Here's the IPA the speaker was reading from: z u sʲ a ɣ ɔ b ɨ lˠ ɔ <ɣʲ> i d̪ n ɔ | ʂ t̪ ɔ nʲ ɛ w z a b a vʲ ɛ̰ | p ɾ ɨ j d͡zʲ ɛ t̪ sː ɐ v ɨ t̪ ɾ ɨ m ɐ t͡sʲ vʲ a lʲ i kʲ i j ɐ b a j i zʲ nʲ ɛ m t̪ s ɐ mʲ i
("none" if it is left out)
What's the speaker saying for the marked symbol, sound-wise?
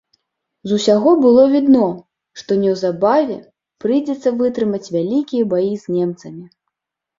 vʲ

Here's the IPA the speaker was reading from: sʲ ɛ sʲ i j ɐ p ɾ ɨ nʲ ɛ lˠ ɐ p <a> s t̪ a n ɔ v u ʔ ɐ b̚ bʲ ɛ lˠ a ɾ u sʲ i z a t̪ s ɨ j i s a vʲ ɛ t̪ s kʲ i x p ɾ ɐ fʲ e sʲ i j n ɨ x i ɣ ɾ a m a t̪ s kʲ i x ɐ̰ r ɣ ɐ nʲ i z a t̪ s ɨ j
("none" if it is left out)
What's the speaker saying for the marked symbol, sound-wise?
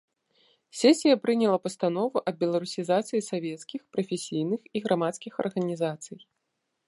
ɐ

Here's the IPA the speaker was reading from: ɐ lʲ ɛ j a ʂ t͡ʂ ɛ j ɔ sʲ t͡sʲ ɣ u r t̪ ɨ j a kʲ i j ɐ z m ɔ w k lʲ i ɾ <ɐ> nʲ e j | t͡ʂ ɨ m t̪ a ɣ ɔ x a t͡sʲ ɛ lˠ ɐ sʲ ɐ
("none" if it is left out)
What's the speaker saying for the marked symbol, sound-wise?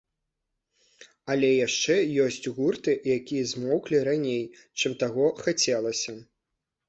a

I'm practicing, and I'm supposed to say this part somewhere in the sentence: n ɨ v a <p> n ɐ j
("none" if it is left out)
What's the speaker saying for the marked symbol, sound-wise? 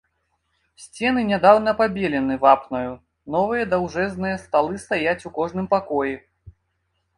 p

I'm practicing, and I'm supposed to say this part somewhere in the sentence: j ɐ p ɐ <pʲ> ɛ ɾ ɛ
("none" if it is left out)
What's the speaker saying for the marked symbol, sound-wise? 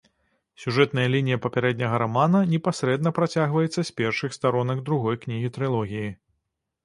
pʲ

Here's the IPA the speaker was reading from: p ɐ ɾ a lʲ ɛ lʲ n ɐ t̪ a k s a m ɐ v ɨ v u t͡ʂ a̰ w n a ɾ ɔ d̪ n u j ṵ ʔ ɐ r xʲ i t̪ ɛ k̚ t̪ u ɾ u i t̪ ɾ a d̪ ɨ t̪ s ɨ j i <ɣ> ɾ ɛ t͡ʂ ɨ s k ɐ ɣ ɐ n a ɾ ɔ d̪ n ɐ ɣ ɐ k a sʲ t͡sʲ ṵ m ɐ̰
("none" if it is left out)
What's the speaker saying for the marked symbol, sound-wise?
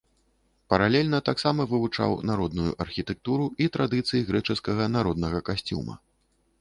ɣ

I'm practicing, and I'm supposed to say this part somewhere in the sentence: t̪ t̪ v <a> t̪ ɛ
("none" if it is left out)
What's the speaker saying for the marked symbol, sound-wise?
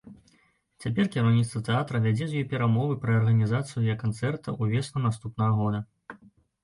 ɐ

